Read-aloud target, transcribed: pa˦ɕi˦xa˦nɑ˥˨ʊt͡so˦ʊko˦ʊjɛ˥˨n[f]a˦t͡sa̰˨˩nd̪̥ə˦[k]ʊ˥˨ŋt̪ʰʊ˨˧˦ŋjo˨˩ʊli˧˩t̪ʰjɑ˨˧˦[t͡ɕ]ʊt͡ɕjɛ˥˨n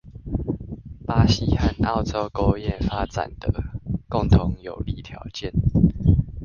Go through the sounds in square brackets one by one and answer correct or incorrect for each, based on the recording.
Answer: correct, correct, incorrect: none

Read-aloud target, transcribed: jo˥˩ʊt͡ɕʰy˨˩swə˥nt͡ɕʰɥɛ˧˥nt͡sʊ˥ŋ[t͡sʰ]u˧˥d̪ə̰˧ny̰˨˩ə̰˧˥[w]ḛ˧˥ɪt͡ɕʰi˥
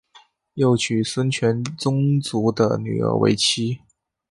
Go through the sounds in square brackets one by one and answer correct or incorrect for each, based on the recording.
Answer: incorrect: t͡s, correct

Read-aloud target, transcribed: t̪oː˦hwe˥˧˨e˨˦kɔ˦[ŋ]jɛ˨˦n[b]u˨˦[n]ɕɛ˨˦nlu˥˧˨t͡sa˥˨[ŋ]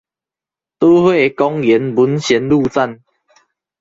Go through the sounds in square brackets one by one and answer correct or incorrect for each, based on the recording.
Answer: correct, correct, correct, incorrect: n

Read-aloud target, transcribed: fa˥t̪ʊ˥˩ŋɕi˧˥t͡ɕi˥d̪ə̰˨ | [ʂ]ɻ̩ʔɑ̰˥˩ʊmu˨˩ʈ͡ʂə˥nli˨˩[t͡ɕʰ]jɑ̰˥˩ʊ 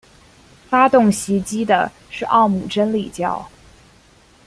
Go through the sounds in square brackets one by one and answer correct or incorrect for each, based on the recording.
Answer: correct, incorrect: t͡ɕ

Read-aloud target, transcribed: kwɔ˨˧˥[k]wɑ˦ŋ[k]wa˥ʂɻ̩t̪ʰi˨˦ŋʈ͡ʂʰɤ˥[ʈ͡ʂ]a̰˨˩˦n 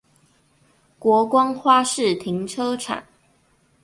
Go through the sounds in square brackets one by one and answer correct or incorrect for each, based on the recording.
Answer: correct, incorrect: x, incorrect: ʈ͡ʂʰ

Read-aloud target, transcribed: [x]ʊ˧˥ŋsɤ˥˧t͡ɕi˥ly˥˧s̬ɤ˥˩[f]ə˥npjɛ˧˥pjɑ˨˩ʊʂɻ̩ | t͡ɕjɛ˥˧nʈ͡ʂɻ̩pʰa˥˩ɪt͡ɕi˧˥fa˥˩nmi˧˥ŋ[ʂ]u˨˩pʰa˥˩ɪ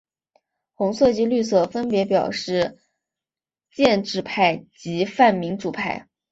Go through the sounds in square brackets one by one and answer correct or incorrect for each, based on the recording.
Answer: correct, correct, incorrect: ʈ͡ʂ

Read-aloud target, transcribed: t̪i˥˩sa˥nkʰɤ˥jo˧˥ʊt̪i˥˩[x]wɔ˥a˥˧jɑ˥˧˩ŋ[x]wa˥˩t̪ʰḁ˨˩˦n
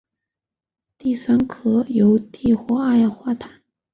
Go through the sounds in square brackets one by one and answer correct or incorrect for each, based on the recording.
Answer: correct, correct

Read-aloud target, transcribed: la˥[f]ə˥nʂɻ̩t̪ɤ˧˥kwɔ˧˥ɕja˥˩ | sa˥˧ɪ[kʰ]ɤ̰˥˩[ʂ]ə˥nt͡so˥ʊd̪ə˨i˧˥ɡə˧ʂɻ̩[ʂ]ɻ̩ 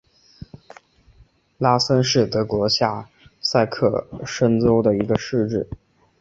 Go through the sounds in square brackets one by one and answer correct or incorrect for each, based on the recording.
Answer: incorrect: s, correct, correct, incorrect: ʈ͡ʂ

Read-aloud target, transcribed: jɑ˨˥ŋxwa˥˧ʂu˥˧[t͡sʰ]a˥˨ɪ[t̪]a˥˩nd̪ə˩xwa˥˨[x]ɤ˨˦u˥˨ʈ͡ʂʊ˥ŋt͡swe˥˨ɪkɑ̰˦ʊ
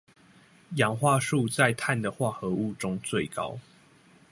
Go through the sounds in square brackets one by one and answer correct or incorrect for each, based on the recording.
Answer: incorrect: t͡s, incorrect: t̪ʰ, correct

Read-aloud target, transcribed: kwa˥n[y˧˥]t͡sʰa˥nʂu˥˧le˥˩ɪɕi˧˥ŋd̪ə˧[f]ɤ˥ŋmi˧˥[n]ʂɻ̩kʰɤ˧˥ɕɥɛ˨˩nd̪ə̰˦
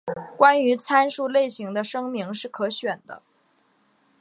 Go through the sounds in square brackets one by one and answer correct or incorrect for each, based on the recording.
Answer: correct, incorrect: ʂ, incorrect: ŋ

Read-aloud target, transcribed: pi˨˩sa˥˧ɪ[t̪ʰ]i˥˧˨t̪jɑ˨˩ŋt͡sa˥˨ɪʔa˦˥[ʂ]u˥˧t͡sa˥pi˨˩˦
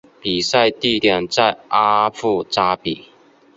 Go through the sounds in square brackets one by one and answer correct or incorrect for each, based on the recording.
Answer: incorrect: t̪, incorrect: f

